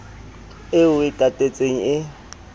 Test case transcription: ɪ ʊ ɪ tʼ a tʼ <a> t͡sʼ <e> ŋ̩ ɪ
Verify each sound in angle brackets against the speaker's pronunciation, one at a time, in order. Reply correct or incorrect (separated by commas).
incorrect, correct